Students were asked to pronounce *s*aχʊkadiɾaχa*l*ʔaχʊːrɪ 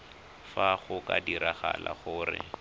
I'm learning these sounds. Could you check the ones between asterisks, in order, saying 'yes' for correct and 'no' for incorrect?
no, yes

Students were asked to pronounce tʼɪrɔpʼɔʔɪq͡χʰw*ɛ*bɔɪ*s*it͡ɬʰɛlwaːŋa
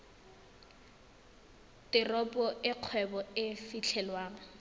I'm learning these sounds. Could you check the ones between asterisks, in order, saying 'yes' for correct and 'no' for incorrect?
yes, no

